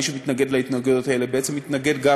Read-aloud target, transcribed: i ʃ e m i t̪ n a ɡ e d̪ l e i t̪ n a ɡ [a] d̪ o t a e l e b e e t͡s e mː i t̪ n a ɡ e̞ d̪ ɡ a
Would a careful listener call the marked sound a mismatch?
yes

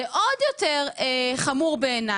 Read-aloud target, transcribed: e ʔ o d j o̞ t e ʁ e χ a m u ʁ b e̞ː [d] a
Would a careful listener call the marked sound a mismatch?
yes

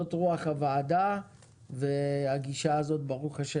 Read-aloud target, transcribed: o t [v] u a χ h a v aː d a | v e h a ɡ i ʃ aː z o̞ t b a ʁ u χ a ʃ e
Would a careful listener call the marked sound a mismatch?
yes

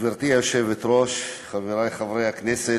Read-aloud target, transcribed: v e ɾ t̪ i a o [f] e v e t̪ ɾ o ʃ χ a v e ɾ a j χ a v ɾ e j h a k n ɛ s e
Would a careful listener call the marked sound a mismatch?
yes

